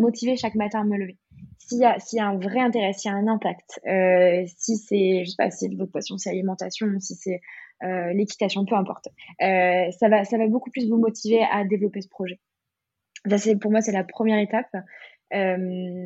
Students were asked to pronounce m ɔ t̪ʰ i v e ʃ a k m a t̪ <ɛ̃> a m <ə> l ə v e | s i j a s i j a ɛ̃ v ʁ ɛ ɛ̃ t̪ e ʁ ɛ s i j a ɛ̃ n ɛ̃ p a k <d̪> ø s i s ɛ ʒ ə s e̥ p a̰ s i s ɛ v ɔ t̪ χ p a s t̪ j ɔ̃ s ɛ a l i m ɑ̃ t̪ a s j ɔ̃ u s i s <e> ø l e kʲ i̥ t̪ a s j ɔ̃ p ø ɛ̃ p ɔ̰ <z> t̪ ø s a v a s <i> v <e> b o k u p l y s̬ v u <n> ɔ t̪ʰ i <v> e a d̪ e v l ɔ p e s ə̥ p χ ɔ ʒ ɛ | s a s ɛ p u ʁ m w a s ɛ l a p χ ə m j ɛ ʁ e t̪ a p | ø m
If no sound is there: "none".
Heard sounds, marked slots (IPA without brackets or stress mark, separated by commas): ɛ̃, ə, t̪, ɛ, ʁ, a, a, m, v